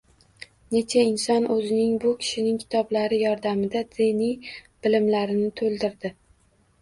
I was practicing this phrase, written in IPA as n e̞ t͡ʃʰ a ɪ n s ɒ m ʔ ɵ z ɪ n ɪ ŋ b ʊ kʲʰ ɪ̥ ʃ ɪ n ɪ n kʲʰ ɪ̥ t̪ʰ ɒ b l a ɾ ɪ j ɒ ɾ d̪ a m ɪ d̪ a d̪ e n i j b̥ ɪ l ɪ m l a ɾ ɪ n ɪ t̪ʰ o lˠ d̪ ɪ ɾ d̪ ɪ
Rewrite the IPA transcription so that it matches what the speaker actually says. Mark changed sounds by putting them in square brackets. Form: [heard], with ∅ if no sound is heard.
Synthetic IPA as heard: n e̞ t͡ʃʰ a ɪ n s ɒ [n] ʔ ɵ z ɪ n ɪ ŋ b ʊ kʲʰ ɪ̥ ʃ ɪ n ɪ [ŋ] kʲʰ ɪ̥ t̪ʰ ɒ b l a ɾ ɪ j ɒ ɾ d̪ a m ɪ d̪ a d̪ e n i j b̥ ɪ l ɪ m l a ɾ ɪ n ɪ t̪ʰ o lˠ d̪ ɪ ɾ d̪ ɪ

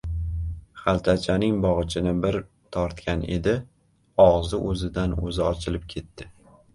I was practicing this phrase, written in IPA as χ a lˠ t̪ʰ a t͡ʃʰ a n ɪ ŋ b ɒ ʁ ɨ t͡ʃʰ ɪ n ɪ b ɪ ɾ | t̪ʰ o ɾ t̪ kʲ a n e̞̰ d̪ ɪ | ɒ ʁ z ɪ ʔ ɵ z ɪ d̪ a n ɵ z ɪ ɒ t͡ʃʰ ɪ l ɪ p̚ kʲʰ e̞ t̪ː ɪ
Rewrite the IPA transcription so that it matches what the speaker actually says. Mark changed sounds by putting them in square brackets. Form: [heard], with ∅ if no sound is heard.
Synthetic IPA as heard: χ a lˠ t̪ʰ a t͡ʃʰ a n ɪ ŋ b ɒ ʁ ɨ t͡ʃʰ ɪ n ɪ b ɪ ɾ | t̪ʰ [ɒ] ɾ t̪ kʲ a n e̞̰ d̪ ɪ | ɒ ʁ z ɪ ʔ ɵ z ɪ d̪ a n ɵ z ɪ ɒ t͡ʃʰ ɪ l ɪ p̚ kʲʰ e̞ t̪ː ɪ

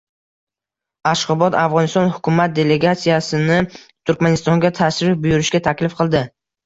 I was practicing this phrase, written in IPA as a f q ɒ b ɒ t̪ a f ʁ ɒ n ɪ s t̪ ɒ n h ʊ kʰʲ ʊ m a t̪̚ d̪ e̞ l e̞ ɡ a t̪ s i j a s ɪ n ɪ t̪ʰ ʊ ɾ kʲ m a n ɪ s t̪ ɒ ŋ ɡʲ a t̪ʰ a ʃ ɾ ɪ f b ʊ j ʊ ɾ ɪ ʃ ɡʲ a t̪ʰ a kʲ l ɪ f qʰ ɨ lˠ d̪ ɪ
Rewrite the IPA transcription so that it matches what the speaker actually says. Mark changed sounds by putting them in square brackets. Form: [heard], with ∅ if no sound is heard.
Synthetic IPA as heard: a [ʃ] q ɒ b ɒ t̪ a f ʁ ɒ n ɪ s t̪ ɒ n h ʊ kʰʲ ʊ m a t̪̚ d̪ e̞ l e̞ ɡ a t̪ s i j a s ɪ n ɪ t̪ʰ ʊ ɾ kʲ m a n ɪ s t̪ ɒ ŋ ɡʲ a t̪ʰ a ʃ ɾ ɪ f b ʊ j ʊ ɾ ɪ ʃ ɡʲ a t̪ʰ a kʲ l ɪ f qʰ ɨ lˠ d̪ ɪ

